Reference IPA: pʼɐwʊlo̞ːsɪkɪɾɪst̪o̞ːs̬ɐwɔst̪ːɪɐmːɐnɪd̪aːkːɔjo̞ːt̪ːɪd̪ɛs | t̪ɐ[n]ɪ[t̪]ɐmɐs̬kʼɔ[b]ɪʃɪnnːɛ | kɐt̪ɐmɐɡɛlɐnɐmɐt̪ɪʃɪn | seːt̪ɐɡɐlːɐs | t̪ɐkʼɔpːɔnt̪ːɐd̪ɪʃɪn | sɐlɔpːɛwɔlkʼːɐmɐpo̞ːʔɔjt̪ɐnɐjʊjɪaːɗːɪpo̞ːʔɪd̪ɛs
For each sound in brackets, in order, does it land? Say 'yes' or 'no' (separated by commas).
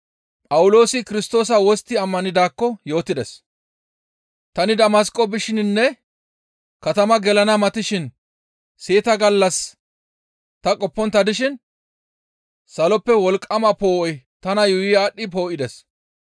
yes, no, yes